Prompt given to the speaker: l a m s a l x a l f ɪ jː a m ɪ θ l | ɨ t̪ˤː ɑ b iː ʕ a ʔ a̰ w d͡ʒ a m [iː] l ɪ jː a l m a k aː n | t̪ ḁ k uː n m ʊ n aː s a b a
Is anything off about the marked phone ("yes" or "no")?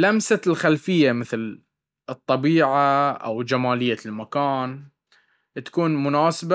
yes